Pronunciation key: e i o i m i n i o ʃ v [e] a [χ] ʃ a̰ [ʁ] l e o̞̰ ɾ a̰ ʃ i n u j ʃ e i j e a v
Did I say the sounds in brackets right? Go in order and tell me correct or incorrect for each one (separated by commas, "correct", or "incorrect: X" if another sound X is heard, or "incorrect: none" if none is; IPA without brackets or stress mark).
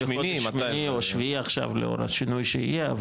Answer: incorrect: i, correct, incorrect: v